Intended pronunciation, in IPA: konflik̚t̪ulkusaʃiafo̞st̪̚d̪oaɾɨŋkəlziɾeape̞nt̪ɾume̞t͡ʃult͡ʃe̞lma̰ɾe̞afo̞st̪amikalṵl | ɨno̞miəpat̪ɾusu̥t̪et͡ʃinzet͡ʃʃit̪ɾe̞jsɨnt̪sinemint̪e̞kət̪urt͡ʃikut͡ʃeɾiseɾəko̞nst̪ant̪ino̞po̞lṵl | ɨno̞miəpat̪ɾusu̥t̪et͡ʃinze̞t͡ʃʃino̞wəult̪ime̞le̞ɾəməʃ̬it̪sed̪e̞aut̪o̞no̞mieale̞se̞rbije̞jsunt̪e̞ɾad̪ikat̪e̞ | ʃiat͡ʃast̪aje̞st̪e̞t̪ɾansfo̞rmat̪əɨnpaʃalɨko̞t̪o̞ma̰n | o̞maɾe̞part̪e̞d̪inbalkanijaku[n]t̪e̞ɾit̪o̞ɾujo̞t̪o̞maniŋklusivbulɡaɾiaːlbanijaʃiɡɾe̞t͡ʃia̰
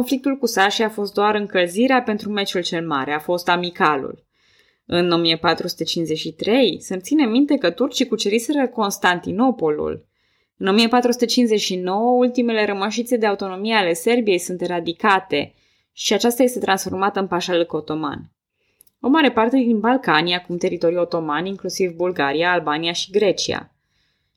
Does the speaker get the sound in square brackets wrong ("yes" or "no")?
yes